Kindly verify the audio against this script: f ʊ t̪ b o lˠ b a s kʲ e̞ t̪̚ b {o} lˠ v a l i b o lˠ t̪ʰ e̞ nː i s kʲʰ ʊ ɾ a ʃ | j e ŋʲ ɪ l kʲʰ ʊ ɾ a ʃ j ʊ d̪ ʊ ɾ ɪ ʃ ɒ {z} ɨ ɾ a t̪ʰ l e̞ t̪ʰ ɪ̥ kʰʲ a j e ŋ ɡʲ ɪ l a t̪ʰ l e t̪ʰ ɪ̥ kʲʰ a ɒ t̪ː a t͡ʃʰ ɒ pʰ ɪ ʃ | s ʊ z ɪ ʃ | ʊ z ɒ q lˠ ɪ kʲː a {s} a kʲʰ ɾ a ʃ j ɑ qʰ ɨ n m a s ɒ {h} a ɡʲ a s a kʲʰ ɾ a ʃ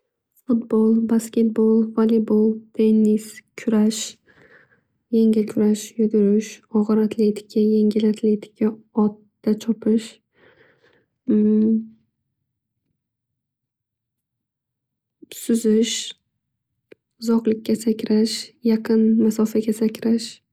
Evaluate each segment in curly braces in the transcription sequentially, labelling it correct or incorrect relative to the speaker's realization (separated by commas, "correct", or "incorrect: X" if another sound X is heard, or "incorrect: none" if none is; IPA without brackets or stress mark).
correct, incorrect: ʁ, correct, incorrect: f